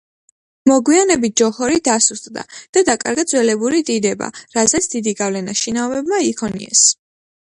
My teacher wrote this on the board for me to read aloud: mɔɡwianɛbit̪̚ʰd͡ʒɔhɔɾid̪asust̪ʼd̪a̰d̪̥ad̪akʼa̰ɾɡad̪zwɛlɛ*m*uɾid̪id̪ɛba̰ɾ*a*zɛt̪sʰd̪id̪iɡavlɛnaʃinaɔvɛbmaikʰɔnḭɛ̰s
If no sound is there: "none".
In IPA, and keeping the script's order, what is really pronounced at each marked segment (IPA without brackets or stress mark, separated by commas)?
b, a